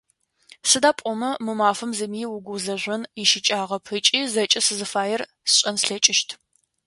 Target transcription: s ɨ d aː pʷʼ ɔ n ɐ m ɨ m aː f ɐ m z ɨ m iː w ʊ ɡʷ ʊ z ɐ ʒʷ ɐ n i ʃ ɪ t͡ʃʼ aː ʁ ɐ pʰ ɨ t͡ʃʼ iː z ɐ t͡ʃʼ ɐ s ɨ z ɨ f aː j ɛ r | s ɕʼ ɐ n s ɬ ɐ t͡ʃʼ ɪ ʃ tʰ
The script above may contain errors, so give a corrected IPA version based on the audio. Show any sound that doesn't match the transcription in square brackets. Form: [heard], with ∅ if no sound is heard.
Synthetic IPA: s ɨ d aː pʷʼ ɔ [m] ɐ m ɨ m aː f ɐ m z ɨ m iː w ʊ ɡʷ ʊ z ɐ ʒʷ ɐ n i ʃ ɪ t͡ʃʼ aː ʁ ɐ pʰ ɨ t͡ʃʼ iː z ɐ t͡ʃʼ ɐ s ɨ z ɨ f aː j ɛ r | s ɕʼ ɐ n s ɬ ɐ t͡ʃʼ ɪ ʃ tʰ

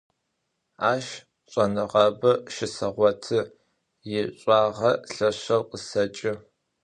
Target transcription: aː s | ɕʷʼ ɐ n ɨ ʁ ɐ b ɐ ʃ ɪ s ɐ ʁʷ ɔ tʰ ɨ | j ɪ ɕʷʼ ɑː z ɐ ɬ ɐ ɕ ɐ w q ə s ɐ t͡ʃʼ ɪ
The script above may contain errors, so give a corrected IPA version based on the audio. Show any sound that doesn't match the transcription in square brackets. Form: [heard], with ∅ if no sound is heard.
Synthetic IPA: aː [ʃ] | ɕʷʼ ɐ n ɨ ʁ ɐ b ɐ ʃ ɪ s ɐ ʁʷ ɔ tʰ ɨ | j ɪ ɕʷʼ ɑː [ʁ] ɐ ɬ ɐ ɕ ɐ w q ə s ɐ t͡ʃʼ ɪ

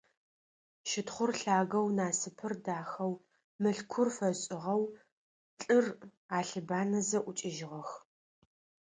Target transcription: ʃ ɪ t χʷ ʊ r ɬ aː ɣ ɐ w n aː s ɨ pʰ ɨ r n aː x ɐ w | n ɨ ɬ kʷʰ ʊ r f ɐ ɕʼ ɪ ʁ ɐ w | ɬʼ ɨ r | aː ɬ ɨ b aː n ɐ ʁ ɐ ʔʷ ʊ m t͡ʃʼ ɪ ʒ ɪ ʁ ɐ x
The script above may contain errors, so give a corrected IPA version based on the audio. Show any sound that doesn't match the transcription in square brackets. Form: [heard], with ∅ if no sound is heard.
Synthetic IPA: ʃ ɪ t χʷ ʊ r ɬ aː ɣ ɐ w n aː s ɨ pʰ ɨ r [d] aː x ɐ w | [m] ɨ ɬ kʷʰ ʊ r f ɐ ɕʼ ɪ ʁ ɐ w | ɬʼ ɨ r | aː ɬ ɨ b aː n ɐ [z] ɐ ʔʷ ʊ [∅] t͡ʃʼ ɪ ʒ ɪ ʁ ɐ x

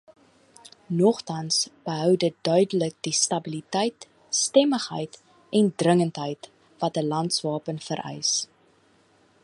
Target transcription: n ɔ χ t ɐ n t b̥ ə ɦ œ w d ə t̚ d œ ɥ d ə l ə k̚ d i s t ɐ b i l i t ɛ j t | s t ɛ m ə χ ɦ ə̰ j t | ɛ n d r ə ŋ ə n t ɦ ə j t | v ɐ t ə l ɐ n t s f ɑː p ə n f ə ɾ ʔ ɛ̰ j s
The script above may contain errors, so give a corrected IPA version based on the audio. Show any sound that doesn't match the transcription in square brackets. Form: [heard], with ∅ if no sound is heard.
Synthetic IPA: n ɔ χ t ɐ n [s] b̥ ə ɦ œ w d ə t̚ d œ ɥ d ə l ə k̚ d i s t ɐ b i l i t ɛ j t | s t ɛ m ə χ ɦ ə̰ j t | ɛ n d r ə ŋ ə n t ɦ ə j t | v ɐ t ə l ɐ n t s [v] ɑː p ə n f ə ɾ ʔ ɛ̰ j s

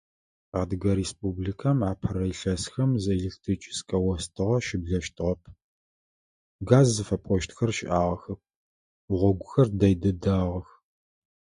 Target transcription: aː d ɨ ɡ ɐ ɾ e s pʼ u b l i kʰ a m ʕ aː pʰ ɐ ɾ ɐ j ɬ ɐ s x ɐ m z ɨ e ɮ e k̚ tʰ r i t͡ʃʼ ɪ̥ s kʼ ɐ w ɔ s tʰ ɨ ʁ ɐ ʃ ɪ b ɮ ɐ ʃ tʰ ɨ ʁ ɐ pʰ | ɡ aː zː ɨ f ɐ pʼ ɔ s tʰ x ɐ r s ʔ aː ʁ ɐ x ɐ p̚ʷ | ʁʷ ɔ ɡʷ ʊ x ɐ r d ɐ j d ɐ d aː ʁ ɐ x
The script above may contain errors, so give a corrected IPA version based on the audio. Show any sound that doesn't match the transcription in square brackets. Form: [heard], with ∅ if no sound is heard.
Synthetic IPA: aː d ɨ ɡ ɐ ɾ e s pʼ u b l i kʰ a m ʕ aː pʰ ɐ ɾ ɐ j ɬ ɐ s x ɐ m z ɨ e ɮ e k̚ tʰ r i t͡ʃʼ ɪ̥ s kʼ ɐ w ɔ s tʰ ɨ ʁ ɐ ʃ ɪ b ɮ ɐ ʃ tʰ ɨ ʁ ɐ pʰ | ɡ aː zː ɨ f ɐ pʼ ɔ [ʃ] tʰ x ɐ r [ʃ] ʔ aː ʁ ɐ x ɐ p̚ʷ | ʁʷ ɔ ɡʷ ʊ x ɐ r d ɐ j d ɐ d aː ʁ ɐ x

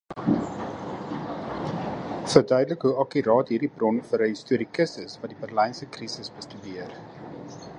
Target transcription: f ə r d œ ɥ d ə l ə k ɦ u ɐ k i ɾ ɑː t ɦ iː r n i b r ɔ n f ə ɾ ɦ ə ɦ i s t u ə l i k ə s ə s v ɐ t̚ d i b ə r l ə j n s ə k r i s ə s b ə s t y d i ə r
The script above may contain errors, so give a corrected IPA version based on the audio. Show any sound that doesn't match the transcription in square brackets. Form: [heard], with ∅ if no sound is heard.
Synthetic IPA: f ə r d œ ɥ d ə l ə k ɦ u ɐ k i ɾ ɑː t ɦ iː r [d] i b r ɔ n f ə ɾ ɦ ə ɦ i s t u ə [ɾ] i k ə s ə s v ɐ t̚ d i b ə r l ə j n s ə k r i s ə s b ə s t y d i ə r

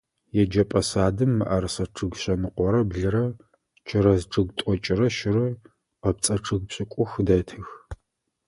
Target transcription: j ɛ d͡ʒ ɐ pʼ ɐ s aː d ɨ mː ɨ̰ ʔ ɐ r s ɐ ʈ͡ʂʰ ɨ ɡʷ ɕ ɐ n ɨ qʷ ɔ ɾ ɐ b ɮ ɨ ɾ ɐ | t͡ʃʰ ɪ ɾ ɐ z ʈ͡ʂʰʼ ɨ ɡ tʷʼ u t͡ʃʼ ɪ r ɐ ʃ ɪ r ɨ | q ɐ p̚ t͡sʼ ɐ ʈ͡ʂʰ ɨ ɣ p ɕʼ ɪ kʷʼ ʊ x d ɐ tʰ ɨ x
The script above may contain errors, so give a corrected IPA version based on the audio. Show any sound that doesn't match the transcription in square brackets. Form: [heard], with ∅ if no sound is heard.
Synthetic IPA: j ɛ d͡ʒ ɐ pʼ ɐ s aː d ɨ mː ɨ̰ ʔ ɐ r s ɐ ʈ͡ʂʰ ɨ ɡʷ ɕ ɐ n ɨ qʷ ɔ ɾ ɐ b ɮ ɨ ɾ ɐ | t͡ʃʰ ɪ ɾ ɐ z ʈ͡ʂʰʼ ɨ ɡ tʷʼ [ɔ] t͡ʃʼ ɪ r ɐ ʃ ɪ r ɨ | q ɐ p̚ t͡sʼ ɐ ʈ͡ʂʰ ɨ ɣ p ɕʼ ɪ kʷʼ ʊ x d ɐ tʰ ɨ x

